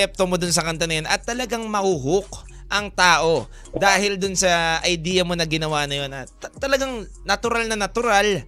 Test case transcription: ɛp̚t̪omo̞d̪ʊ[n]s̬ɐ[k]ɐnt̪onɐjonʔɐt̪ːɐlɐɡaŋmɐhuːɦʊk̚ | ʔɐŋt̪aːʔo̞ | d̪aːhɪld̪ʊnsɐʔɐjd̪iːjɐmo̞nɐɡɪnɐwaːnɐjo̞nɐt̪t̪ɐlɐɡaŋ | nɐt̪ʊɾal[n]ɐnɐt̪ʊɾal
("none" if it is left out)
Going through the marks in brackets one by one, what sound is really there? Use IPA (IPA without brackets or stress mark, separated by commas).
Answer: n, k, n